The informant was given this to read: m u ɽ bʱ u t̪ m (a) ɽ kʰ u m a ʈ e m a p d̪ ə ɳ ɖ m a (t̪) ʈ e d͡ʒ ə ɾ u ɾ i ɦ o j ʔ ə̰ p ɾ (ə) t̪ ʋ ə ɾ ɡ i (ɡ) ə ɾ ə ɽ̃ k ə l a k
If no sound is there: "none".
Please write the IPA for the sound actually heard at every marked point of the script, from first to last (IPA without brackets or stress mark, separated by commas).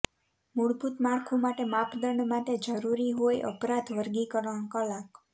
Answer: a, none, a, k